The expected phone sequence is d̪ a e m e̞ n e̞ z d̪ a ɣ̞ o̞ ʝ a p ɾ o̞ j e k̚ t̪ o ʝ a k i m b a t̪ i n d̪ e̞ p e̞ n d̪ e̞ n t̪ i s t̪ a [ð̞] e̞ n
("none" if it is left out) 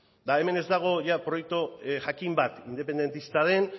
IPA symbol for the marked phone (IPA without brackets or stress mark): ð̞